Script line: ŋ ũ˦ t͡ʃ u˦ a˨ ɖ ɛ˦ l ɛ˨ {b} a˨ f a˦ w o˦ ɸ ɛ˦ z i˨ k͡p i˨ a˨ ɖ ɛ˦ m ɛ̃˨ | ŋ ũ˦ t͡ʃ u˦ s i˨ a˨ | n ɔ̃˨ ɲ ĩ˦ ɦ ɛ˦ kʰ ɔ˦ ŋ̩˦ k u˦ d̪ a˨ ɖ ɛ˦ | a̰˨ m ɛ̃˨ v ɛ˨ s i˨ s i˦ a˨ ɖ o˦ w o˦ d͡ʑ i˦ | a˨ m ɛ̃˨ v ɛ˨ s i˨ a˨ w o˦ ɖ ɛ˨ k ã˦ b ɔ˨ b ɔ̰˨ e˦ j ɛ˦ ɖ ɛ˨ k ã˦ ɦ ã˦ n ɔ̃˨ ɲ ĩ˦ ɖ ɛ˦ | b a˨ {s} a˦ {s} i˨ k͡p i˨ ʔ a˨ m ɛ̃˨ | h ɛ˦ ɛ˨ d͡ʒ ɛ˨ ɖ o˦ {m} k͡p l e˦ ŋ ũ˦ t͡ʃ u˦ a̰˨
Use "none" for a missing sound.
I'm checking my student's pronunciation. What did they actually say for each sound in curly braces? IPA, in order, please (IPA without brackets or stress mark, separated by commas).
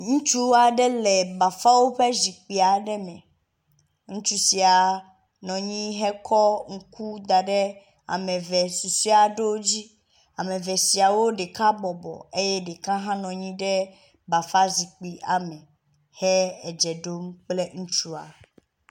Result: b, f, z, m